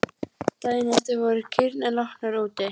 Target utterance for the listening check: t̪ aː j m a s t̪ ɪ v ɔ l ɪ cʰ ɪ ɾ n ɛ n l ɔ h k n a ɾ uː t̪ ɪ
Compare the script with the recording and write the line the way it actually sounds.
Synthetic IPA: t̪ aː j n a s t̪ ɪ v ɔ ɾ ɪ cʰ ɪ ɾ n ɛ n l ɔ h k n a ɾ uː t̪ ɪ